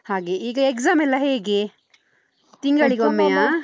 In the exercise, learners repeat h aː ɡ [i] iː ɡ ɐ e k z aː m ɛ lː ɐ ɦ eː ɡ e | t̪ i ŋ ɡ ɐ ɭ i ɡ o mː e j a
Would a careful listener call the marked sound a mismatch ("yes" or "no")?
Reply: yes